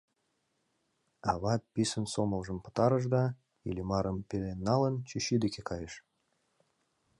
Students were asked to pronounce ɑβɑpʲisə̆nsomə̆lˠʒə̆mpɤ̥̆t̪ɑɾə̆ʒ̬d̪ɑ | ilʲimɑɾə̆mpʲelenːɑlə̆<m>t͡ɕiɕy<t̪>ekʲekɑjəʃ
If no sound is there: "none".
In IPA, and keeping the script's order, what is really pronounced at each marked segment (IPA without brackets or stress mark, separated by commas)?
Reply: n, d̪